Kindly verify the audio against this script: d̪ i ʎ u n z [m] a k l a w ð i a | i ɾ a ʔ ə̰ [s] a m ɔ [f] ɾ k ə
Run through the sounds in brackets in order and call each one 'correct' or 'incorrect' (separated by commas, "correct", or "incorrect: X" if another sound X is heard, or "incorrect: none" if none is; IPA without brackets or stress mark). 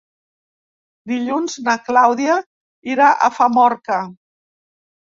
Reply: incorrect: n, incorrect: f, incorrect: none